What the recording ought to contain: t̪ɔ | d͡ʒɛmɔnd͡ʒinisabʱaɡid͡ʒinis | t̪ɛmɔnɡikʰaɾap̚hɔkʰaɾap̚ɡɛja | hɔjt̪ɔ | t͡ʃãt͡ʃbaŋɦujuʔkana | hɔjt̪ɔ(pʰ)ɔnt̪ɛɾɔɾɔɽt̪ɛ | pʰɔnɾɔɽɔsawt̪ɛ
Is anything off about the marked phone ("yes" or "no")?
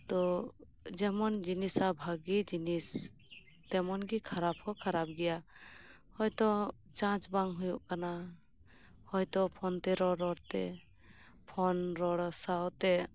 no